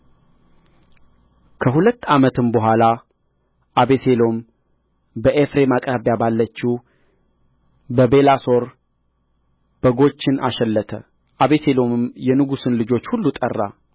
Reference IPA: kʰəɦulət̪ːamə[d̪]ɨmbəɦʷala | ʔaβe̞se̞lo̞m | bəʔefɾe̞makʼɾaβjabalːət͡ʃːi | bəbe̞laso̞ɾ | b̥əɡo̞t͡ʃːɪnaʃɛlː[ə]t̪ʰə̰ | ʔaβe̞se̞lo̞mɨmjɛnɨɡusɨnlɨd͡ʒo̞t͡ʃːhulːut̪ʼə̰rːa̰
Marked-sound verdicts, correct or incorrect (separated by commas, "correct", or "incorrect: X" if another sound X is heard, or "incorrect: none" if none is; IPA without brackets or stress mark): incorrect: t̪, correct